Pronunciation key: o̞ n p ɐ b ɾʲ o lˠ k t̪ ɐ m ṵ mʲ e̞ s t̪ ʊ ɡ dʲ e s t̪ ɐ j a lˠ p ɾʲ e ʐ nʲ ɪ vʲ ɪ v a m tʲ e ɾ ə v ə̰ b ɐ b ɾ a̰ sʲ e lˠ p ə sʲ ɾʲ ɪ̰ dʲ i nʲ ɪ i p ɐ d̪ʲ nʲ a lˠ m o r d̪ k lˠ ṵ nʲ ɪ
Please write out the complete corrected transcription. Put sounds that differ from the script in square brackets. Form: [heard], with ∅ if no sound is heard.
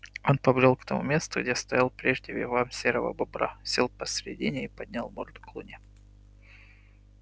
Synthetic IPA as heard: o̞ n p ɐ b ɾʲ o lˠ k t̪ ɐ m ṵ mʲ e̞ s t̪ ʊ ɡ dʲ e s t̪ ɐ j a lˠ p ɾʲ e ʐ [dʲ] ɪ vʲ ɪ v a m [sʲ] e ɾ ə v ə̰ b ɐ b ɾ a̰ sʲ e lˠ p ə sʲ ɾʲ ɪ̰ dʲ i nʲ ɪ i p ɐ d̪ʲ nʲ a lˠ m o r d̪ k lˠ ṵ nʲ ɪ